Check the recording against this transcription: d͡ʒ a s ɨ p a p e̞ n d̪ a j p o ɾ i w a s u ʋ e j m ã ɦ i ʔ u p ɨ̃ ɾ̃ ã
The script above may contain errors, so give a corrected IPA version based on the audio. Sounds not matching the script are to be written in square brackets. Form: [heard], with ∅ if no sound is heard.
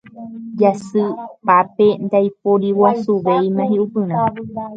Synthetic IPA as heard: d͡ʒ a s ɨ p a p e̞ n d̪ a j p o ɾ i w a s u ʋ e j m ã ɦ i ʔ u p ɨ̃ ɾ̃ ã